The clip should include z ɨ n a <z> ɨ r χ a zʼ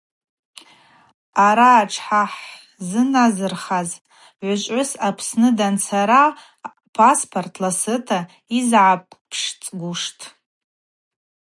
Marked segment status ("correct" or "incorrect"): correct